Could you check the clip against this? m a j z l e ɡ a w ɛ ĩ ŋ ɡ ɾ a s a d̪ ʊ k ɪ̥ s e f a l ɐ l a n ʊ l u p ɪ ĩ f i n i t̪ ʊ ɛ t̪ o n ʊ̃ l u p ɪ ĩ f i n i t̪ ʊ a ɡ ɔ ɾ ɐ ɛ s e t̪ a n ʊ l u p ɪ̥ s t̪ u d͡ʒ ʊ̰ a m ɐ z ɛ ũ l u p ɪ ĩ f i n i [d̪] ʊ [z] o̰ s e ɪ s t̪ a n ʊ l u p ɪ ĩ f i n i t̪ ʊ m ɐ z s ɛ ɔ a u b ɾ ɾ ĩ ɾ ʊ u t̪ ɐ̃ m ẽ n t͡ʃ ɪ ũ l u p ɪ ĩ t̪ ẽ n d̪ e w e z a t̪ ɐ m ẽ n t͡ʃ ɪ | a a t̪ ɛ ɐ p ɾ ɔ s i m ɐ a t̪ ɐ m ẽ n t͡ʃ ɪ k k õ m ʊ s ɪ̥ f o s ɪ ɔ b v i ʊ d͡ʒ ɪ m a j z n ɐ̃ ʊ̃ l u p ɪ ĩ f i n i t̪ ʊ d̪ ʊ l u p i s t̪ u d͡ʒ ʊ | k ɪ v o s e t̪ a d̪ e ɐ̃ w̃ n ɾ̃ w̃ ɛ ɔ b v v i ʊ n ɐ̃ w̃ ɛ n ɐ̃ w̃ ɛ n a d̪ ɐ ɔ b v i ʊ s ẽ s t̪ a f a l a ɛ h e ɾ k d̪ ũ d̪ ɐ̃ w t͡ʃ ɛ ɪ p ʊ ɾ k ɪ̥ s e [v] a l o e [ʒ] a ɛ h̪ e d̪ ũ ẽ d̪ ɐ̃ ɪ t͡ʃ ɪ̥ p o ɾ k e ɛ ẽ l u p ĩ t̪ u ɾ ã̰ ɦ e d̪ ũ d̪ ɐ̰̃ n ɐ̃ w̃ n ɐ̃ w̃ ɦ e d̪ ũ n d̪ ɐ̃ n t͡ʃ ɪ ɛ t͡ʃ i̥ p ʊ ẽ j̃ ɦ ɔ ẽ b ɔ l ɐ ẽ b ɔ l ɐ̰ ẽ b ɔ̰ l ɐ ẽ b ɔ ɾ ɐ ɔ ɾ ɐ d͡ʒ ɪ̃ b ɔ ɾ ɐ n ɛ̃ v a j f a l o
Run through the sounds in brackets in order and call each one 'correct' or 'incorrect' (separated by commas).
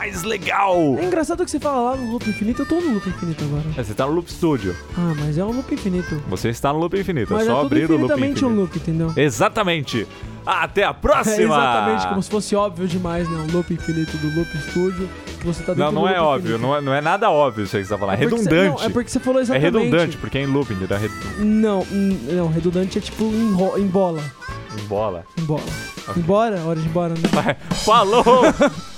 incorrect, incorrect, incorrect, incorrect